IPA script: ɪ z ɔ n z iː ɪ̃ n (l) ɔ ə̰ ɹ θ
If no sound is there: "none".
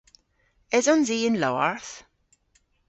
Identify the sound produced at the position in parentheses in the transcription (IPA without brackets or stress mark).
l